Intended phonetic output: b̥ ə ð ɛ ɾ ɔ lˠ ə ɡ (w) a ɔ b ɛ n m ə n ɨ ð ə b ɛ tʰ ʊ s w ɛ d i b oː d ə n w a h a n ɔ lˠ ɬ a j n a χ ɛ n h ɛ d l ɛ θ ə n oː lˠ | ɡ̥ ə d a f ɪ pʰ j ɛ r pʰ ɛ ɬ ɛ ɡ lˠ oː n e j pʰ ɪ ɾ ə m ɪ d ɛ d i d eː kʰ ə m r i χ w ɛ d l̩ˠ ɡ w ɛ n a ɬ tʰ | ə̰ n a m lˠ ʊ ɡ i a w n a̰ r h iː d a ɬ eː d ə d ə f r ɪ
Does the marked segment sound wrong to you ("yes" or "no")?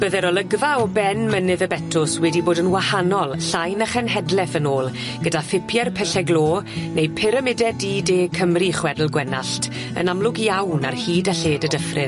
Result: yes